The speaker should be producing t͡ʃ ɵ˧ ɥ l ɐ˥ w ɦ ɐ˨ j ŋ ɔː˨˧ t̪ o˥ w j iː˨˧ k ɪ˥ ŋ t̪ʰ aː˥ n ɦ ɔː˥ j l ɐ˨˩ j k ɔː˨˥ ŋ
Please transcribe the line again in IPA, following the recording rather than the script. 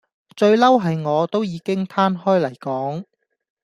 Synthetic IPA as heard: t͡ʃ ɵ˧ ɥ l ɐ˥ w ɦ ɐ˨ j ŋ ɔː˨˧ t̪ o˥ w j iː˨˧ k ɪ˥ ŋ t̪ʰ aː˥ n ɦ ɔː˥ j l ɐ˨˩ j k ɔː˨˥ ŋ